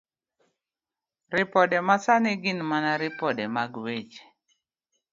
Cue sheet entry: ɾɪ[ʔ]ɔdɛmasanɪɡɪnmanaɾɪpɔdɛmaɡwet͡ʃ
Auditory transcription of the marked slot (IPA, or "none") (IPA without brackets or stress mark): p